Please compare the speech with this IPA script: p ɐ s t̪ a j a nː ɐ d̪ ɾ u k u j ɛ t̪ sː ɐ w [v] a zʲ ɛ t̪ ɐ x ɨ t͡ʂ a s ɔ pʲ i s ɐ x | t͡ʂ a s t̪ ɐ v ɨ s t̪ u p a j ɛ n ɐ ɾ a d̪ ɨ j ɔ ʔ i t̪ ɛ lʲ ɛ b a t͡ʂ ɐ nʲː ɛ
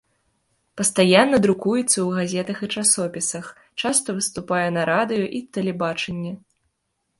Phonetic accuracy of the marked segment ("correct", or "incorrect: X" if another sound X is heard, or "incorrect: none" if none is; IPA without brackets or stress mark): incorrect: ɣ